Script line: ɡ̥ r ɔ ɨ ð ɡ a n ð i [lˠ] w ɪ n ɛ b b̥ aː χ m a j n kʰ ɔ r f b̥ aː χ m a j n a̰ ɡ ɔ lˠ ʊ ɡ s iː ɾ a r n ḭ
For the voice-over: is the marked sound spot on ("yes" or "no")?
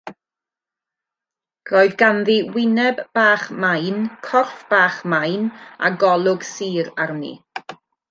no